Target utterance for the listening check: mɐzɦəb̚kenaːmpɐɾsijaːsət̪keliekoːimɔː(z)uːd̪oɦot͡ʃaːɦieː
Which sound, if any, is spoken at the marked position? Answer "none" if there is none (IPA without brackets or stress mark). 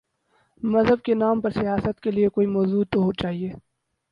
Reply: z